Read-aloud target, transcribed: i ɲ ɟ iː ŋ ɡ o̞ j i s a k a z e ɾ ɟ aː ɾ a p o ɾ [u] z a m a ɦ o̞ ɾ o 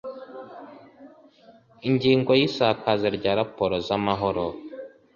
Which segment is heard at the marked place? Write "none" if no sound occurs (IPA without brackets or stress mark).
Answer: o